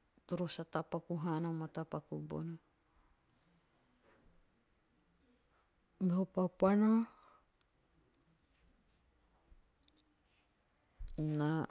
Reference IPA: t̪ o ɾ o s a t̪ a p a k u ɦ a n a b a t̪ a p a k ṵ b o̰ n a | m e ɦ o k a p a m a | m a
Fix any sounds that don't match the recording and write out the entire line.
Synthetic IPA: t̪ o ɾ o s a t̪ a p a k u ɦ a n a m a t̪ a p a k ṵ b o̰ n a | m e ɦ o p a p a n a | n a